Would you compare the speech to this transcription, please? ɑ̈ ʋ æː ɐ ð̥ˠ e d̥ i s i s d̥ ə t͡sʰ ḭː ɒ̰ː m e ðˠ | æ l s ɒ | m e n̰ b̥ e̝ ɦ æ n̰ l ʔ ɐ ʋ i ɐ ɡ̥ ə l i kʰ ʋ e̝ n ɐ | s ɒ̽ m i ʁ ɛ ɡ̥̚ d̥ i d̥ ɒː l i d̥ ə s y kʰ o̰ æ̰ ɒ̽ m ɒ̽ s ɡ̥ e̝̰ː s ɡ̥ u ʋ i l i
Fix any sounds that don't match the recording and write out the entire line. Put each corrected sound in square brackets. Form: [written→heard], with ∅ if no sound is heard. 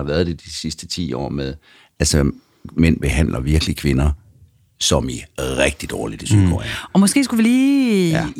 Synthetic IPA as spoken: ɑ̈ ʋ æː ɐ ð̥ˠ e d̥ i s i s d̥ ə t͡sʰ ḭː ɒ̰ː m e ðˠ | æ l s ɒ | m e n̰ b̥ e̝ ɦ æ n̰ l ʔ ɐ ʋ i ɐ ɡ̥ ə l i kʰ ʋ e̝ n ɐ | s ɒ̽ m i ʁ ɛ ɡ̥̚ d̥ i d̥ ɒː l i d̥ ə s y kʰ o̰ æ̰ ɒ̽ m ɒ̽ s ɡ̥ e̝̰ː s ɡ̥ u ʋ i l [i→iː]